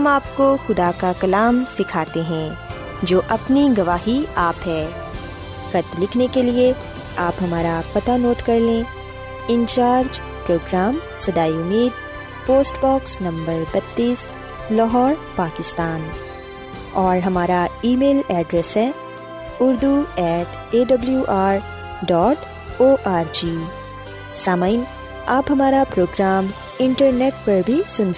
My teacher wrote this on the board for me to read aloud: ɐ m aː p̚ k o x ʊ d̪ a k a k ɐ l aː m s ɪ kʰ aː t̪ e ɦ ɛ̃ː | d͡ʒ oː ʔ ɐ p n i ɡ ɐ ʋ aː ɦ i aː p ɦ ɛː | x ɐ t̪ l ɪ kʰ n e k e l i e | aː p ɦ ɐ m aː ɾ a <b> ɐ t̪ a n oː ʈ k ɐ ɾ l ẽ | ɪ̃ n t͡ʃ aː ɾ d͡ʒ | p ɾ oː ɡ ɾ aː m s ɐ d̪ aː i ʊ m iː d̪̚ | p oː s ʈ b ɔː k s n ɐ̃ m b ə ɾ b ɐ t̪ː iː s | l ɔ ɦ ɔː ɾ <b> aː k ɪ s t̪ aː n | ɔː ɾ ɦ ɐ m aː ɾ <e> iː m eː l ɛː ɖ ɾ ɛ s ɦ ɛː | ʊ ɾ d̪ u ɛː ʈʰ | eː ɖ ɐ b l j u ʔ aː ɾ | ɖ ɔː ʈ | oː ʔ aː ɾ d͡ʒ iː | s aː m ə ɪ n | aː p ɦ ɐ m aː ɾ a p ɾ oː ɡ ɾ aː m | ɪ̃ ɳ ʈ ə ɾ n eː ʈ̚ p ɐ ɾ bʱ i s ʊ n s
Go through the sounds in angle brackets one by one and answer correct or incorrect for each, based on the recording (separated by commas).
incorrect, incorrect, incorrect